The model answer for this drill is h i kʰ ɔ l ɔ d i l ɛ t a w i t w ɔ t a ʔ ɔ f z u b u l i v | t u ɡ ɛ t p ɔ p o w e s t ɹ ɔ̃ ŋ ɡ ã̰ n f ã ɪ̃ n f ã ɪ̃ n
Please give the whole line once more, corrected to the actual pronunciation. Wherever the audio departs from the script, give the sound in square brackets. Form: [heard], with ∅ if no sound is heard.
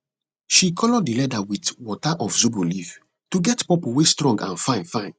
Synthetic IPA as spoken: [ʃ] i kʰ ɔ l ɔ d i l ɛ [d] a w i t w ɔ t a ʔ ɔ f z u b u l i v | t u ɡ ɛ t p ɔ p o w e s t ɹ ɔ̃ ŋ ɡ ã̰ n f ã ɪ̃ n f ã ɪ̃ n